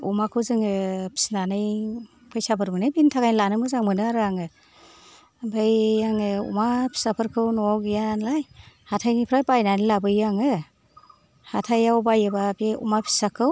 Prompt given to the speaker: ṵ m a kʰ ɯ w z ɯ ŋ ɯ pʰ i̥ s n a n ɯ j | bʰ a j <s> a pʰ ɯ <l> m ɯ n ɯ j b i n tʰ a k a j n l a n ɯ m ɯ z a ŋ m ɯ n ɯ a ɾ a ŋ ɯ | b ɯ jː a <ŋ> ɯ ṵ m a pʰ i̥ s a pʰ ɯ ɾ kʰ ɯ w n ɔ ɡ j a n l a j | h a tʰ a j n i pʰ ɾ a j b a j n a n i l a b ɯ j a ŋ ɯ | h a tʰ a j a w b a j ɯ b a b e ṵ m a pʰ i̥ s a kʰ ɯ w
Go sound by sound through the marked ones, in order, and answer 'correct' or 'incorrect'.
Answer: correct, incorrect: ɾ, correct

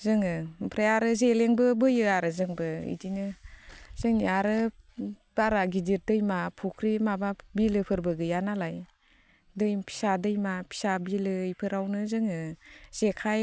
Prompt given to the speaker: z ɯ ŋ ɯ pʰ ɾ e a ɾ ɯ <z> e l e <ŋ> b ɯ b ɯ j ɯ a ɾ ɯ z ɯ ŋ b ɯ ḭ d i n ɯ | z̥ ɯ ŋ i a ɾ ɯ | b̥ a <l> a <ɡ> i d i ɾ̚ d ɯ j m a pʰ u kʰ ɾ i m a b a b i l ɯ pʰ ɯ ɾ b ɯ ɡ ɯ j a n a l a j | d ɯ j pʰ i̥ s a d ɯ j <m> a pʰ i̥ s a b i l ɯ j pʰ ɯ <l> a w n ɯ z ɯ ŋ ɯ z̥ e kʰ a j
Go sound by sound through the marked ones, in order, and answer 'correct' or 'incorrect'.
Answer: correct, correct, incorrect: ɾ, correct, correct, incorrect: ɾ

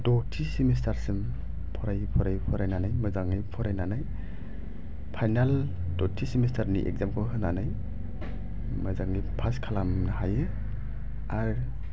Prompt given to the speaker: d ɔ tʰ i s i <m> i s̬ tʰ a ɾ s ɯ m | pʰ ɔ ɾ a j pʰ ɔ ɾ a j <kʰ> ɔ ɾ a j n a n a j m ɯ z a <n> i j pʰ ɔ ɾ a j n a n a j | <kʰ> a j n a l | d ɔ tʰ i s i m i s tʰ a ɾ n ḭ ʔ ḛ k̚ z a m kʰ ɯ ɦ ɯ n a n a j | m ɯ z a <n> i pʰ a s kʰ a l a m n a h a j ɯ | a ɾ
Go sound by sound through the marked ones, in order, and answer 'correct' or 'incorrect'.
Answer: correct, incorrect: pʰ, incorrect: ŋ, incorrect: pʰ, incorrect: ŋ

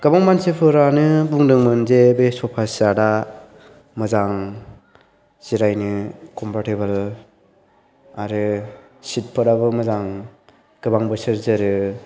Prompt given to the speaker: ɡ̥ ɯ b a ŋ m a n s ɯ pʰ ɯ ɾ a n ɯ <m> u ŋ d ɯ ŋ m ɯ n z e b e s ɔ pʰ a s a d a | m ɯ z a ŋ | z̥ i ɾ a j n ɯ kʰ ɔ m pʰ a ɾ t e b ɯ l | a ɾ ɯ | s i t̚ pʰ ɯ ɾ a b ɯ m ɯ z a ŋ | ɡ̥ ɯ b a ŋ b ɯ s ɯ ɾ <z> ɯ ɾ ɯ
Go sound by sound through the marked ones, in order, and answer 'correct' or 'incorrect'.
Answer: incorrect: b, correct

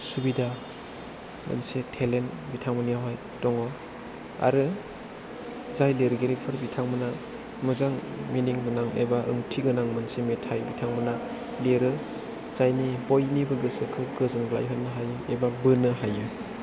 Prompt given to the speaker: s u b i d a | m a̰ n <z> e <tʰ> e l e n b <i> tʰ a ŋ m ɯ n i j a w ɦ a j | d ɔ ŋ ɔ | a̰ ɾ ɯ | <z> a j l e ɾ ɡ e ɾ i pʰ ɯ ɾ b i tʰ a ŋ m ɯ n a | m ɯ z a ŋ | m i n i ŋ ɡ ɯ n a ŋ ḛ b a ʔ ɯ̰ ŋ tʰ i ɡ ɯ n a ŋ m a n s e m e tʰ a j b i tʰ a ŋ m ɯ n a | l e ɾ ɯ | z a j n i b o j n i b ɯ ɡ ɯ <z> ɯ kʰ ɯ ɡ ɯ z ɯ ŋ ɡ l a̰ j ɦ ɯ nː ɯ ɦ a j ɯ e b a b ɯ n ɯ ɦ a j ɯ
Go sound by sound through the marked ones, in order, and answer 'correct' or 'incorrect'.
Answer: incorrect: s, correct, correct, correct, incorrect: s

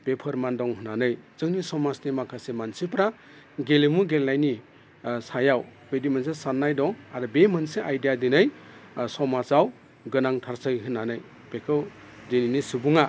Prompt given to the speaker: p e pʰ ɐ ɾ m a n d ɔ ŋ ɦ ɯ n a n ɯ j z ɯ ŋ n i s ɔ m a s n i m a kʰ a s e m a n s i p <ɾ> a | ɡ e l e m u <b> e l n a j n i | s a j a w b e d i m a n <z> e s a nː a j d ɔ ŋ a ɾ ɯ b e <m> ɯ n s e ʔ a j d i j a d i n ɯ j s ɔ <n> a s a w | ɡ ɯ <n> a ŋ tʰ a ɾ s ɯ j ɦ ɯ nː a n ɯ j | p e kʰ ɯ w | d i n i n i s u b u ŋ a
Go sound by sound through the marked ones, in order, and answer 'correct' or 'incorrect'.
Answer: correct, incorrect: ɡ, incorrect: s, correct, incorrect: m, correct

